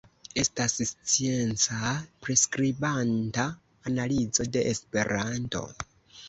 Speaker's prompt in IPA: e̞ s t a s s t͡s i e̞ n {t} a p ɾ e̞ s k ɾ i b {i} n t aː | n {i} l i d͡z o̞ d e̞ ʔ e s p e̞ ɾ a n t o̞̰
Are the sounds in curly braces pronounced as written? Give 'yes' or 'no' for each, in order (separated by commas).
no, no, no